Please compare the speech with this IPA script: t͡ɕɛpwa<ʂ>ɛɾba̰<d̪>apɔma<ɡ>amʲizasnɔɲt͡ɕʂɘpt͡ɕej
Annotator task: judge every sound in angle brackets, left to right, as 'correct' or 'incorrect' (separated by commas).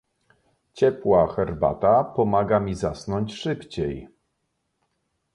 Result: incorrect, incorrect, correct